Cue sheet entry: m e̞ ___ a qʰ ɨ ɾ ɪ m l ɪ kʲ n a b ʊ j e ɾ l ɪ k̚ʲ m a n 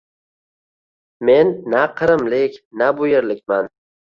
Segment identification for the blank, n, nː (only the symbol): nː